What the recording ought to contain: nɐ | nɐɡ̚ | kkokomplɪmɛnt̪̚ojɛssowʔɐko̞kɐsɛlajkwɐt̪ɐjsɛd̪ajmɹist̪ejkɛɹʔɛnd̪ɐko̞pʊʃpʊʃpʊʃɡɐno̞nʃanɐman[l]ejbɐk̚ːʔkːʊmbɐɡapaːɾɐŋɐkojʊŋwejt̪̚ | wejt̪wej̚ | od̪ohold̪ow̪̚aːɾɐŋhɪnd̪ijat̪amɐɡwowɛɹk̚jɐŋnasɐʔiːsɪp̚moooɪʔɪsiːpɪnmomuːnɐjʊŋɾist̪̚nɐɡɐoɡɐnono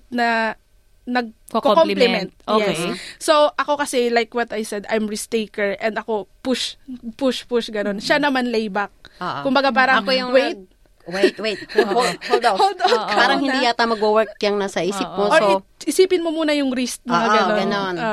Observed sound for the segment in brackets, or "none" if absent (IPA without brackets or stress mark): l